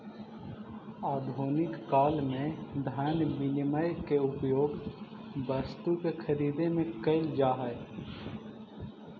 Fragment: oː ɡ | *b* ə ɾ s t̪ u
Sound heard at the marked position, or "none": b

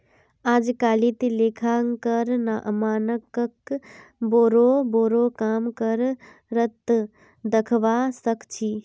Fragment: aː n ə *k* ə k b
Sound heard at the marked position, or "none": k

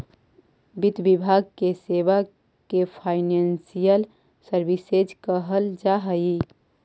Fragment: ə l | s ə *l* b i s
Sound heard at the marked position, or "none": ɾ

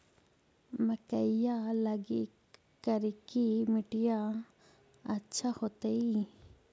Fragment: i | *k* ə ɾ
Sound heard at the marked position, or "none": k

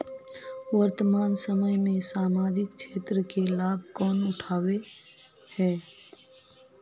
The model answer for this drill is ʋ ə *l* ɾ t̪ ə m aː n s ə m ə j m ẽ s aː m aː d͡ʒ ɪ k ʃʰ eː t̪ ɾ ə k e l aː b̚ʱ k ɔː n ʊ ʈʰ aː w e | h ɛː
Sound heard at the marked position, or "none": none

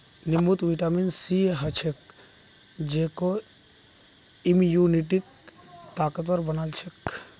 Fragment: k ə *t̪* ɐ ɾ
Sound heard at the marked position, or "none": t̪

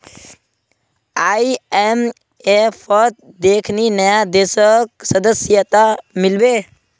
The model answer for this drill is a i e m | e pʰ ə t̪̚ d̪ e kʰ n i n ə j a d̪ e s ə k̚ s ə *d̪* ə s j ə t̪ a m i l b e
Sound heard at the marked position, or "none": d̪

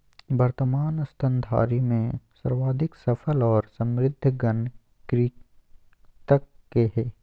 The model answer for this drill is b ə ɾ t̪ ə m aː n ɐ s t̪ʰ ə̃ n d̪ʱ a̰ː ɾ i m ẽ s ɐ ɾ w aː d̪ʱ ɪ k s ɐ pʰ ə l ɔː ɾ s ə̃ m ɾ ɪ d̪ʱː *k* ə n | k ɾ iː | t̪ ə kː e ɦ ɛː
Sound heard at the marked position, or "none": ɡ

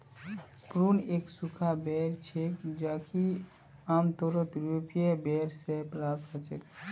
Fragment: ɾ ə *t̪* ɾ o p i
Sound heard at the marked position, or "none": t̪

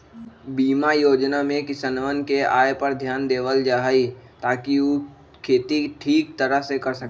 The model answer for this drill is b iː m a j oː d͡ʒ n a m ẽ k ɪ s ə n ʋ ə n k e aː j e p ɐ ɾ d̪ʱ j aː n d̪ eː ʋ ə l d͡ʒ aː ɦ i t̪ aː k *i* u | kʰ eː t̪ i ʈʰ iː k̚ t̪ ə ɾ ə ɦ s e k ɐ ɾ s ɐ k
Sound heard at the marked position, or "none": i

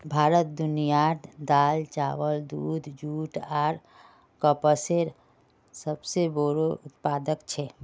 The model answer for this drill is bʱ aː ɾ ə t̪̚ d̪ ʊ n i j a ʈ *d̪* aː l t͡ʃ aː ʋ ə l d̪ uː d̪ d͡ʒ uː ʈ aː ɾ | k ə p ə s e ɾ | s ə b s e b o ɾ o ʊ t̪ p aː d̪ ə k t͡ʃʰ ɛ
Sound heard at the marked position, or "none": d̪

